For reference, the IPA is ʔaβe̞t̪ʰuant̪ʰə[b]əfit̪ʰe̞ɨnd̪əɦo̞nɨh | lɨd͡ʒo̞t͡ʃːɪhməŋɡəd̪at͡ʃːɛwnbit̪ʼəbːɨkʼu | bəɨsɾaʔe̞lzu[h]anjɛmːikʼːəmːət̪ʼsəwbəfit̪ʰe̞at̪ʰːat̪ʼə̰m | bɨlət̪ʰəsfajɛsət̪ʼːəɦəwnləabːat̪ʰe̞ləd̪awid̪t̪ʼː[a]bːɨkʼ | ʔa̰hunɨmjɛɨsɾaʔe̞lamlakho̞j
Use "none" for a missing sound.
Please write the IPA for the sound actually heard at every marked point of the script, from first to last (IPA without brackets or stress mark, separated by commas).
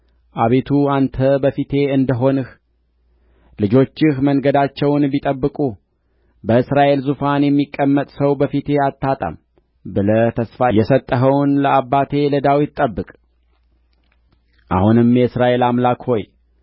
b, f, ə